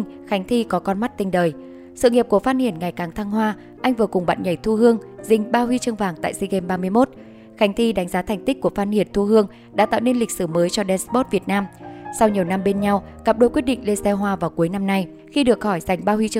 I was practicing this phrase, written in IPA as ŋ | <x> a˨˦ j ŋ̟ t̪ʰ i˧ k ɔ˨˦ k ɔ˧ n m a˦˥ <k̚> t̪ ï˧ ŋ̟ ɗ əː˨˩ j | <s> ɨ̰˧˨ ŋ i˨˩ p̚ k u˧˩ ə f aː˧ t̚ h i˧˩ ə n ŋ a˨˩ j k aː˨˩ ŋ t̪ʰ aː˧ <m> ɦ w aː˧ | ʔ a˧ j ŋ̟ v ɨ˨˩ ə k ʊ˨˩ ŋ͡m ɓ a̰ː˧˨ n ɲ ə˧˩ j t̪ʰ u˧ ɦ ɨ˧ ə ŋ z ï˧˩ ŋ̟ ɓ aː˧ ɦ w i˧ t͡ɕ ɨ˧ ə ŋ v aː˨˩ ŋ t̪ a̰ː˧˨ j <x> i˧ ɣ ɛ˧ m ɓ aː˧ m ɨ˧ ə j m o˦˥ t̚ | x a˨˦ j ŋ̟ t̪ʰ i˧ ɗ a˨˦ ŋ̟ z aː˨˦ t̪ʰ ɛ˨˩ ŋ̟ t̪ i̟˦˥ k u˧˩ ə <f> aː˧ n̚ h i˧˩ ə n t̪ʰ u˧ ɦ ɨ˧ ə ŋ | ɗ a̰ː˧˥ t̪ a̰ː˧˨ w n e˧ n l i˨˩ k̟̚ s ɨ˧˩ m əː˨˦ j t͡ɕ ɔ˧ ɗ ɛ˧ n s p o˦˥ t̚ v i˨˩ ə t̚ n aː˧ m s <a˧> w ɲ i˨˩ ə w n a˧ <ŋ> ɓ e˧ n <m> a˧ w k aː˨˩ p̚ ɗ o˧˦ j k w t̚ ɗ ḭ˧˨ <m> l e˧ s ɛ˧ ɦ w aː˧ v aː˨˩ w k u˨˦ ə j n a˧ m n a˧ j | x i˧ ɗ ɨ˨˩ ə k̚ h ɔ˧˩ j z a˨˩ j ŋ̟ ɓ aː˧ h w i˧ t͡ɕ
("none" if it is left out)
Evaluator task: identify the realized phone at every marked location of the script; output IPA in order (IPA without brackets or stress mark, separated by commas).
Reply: x, t̚, s, ŋ, s, f, a˧, m, ɲ, ŋ